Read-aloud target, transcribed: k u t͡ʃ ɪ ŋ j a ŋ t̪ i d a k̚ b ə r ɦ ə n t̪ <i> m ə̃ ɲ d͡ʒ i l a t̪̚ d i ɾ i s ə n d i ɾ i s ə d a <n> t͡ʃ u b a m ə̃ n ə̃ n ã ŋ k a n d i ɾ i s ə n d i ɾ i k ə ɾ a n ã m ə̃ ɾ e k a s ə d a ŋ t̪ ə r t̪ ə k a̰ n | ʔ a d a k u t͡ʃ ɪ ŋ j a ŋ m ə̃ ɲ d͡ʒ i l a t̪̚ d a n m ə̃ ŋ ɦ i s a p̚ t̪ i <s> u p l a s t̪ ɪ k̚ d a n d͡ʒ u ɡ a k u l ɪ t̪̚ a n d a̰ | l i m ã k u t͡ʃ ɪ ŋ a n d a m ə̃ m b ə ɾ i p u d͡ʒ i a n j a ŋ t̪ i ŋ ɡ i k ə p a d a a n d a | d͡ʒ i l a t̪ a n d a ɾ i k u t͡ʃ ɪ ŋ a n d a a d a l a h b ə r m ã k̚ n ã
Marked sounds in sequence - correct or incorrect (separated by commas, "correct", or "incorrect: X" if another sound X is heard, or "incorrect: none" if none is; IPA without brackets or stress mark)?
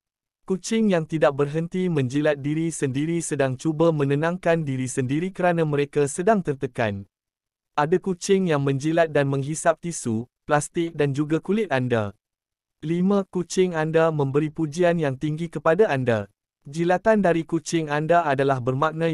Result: correct, incorrect: ŋ, correct